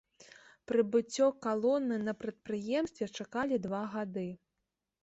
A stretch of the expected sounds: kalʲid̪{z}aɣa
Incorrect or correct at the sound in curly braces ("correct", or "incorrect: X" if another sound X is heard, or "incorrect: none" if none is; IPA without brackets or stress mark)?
incorrect: v